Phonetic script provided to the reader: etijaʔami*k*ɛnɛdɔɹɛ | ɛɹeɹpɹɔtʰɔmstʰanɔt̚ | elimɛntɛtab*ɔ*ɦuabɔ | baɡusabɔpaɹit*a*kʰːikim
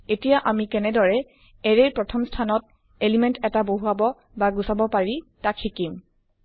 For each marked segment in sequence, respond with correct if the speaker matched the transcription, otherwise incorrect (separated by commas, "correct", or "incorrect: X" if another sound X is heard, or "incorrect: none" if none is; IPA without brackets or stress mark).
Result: correct, incorrect: o, correct